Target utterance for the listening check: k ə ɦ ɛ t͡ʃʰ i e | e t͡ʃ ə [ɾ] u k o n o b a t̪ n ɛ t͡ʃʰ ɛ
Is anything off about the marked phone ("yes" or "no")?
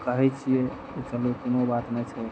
yes